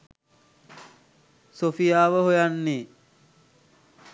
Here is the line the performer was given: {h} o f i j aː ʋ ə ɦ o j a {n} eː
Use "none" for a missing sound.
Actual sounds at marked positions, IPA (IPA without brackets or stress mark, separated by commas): s, nː